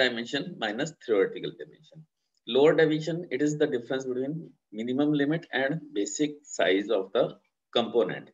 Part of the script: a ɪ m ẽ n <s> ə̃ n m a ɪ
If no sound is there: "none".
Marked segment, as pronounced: ʃ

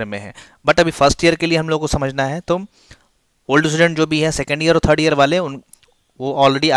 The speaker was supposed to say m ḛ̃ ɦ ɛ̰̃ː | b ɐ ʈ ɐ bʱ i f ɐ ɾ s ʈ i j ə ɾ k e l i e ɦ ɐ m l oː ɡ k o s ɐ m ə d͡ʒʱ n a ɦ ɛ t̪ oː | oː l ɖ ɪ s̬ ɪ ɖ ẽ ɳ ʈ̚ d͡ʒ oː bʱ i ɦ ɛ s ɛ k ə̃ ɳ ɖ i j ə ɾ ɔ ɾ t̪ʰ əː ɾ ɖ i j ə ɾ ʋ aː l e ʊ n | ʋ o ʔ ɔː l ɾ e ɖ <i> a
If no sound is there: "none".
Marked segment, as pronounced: i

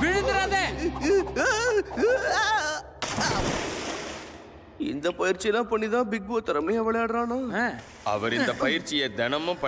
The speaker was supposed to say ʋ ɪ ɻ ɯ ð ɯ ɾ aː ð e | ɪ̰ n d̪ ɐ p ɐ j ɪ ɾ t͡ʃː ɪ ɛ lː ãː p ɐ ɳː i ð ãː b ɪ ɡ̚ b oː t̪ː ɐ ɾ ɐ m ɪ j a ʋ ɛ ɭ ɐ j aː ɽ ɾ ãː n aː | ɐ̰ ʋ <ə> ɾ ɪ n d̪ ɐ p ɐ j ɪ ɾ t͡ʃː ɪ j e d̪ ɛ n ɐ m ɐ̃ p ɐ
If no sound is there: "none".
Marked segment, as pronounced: ɐ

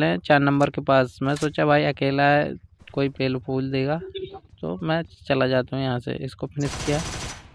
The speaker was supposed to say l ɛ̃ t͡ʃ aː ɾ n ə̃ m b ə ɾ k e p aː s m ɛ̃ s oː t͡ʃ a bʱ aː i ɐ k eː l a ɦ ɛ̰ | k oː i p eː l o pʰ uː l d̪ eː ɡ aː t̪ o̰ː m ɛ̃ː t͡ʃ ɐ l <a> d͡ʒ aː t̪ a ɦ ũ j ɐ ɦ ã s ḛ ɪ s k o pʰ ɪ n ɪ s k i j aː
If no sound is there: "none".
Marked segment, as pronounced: a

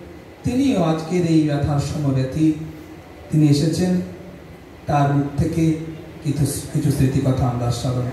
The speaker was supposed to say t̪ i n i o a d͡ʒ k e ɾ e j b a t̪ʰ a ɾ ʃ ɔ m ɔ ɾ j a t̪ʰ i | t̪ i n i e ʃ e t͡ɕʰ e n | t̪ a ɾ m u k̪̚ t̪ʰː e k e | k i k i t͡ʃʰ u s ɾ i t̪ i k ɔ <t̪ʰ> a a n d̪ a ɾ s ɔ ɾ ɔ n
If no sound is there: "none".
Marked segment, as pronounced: t̪ʰ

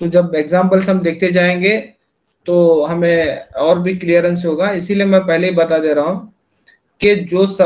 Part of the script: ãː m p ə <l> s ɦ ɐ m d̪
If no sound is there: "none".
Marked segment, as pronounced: l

